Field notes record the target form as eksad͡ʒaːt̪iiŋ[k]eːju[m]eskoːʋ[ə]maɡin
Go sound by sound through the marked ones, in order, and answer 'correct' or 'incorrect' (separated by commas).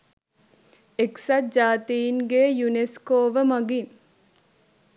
incorrect, incorrect, correct